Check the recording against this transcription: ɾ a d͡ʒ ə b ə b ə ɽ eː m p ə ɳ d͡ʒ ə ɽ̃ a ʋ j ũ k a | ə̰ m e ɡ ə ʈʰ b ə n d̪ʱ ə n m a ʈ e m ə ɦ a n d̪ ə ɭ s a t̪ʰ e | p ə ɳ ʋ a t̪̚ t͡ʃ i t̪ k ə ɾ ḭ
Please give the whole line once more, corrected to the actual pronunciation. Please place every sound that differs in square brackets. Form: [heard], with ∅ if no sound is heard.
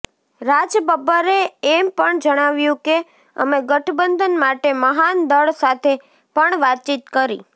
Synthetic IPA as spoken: ɾ a d͡ʒ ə b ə b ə [ɾ] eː m p ə ɳ d͡ʒ ə ɽ̃ a ʋ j ũ k [e] | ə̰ m e ɡ ə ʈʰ b ə n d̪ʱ ə n m a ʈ e m ə ɦ a n d̪ ə ɭ s a t̪ʰ e | p ə ɳ ʋ a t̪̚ t͡ʃ i t̪ k ə ɾ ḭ